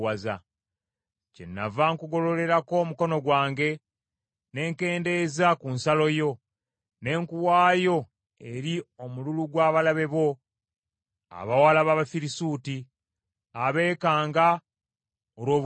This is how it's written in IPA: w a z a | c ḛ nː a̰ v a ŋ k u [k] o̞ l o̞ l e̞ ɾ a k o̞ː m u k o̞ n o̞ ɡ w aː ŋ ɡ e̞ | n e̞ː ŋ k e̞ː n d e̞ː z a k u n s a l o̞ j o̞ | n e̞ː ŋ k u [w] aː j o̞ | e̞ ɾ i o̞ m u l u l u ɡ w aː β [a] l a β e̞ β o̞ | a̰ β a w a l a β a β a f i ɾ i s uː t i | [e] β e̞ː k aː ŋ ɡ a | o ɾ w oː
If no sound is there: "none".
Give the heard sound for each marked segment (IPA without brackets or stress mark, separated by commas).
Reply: ɡ, w, a, a